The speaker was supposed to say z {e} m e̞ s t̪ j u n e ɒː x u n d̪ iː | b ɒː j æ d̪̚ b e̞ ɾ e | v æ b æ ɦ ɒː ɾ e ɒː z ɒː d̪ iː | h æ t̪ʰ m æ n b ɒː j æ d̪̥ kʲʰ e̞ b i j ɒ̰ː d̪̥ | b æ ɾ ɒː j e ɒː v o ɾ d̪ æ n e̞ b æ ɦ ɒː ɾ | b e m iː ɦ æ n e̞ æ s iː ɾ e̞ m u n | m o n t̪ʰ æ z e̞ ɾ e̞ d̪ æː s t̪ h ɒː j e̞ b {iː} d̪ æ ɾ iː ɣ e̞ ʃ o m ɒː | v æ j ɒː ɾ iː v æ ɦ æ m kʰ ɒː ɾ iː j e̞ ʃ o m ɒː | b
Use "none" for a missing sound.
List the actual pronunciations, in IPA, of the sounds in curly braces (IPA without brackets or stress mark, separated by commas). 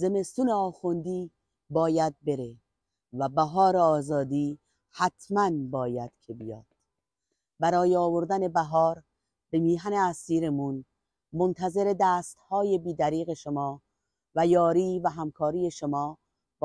e, iː